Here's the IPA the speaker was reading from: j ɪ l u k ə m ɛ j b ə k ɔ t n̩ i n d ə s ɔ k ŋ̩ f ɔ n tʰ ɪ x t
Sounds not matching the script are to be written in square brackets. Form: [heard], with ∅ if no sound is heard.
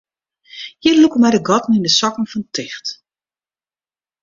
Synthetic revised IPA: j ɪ l u k ə m ɛ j [d] ə [ɡ] ɔ t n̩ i n d ə s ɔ k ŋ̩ f ɔ n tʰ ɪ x t